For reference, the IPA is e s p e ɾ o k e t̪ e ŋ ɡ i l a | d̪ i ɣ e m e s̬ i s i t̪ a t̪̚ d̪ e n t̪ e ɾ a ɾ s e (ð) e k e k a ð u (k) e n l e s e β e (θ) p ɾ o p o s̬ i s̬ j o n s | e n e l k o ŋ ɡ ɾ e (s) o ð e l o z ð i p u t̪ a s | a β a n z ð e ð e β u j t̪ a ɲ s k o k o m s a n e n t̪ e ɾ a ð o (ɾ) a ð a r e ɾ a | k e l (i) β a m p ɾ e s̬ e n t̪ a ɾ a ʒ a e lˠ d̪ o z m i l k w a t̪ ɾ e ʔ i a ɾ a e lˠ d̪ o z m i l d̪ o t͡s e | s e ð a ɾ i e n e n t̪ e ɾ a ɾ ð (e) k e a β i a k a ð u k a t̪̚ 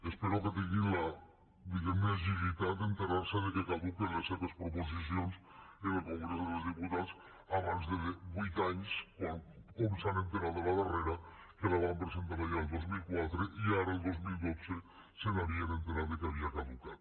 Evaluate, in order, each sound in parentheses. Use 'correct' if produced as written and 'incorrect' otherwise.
correct, correct, incorrect, correct, incorrect, incorrect, correct

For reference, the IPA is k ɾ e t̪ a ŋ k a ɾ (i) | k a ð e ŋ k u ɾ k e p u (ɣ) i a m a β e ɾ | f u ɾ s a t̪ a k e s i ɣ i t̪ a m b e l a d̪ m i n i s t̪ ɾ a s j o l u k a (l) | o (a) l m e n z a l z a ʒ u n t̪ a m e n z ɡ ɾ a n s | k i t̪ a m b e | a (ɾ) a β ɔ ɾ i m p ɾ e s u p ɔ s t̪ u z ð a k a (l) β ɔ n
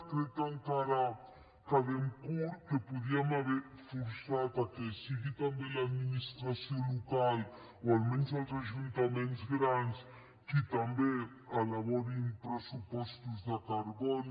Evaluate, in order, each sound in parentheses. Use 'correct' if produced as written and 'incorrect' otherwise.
incorrect, incorrect, correct, correct, incorrect, incorrect

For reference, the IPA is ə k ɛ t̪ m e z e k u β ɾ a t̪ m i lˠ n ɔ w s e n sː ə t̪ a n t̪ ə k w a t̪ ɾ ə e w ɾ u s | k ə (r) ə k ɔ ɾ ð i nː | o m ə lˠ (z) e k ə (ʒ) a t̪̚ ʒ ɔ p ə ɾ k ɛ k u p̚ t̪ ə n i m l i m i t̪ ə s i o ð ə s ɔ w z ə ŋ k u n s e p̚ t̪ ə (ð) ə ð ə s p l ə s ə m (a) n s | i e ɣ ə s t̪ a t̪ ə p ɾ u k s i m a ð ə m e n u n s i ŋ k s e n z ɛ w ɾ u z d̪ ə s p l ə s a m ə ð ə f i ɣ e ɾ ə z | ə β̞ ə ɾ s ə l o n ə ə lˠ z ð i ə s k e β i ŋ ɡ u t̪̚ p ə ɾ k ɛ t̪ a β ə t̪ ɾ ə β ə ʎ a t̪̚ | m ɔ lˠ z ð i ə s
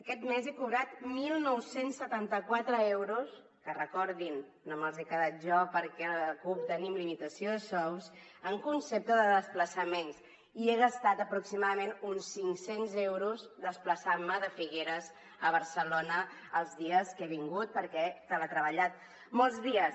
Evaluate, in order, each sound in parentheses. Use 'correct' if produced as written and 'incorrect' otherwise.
correct, correct, incorrect, correct, incorrect

